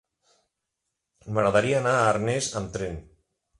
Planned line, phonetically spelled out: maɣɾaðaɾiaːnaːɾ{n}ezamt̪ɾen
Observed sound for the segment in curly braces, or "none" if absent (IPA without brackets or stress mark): n